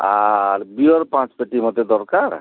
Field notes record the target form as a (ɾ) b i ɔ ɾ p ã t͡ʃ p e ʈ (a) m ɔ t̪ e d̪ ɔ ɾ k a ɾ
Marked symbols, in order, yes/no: yes, no

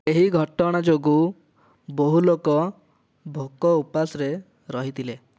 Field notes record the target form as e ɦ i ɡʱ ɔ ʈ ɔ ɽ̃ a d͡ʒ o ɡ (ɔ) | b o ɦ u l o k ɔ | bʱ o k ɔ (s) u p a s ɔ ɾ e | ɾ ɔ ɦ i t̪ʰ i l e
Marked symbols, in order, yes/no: no, no

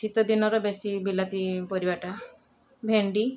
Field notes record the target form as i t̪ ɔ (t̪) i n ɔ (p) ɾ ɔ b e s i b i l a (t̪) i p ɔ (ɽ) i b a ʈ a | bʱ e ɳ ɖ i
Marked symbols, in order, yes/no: no, no, yes, no

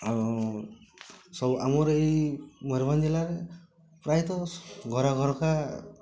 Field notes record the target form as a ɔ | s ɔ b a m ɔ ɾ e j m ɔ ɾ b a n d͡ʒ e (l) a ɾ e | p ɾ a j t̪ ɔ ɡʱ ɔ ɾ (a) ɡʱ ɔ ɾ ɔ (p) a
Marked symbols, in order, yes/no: yes, yes, no

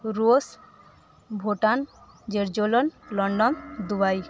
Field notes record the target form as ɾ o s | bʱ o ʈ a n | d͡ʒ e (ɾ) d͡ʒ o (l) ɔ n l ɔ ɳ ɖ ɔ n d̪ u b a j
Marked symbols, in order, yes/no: yes, yes

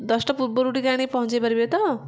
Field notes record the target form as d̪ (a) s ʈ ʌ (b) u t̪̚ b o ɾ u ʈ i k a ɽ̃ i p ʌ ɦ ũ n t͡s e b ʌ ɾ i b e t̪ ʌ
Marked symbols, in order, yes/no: no, no

